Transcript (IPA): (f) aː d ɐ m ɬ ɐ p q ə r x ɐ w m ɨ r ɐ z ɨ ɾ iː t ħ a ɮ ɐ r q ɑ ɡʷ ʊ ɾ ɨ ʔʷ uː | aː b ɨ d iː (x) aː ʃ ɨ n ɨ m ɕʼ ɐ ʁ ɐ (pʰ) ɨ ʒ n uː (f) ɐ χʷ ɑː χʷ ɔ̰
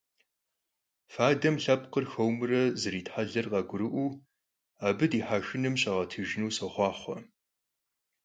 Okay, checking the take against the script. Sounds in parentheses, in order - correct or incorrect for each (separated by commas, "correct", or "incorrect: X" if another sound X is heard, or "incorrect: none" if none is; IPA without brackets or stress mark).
correct, incorrect: ħ, incorrect: tʰ, incorrect: s